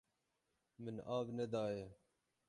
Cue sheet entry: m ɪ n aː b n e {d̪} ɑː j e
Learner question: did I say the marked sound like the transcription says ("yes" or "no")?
yes